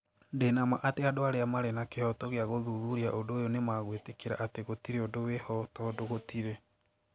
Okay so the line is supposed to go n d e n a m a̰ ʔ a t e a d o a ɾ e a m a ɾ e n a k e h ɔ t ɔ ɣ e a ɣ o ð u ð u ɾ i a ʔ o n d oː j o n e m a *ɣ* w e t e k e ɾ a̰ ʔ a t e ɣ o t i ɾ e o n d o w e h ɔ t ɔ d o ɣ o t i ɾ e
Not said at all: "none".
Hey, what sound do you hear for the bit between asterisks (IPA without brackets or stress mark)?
ɣ